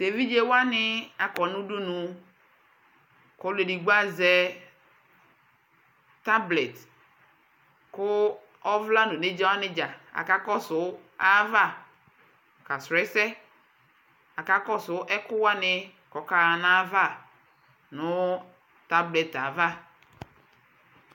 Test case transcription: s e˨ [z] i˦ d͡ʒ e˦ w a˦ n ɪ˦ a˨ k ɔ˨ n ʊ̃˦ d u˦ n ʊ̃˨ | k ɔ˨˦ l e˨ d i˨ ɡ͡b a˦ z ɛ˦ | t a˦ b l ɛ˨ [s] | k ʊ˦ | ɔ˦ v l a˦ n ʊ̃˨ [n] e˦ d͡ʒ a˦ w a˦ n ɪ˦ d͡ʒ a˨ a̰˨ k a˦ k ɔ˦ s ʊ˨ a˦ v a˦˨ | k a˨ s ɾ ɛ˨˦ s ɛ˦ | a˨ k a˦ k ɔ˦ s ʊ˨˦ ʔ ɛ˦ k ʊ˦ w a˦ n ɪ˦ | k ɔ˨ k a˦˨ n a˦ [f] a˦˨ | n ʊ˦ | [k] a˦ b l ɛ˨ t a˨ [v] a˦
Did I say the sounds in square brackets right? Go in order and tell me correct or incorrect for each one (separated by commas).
incorrect, incorrect, correct, incorrect, incorrect, correct